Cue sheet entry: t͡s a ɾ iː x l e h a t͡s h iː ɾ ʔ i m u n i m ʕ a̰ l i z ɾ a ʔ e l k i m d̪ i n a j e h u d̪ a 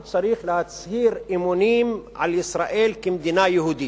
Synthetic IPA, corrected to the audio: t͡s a ɾ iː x l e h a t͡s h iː ɾ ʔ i m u n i m ʕ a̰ l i s ɾ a ʔ e l k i m d̪ i n a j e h u d̪ i